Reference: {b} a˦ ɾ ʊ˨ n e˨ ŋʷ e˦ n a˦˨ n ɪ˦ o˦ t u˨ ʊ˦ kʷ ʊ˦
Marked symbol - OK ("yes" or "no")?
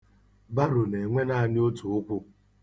yes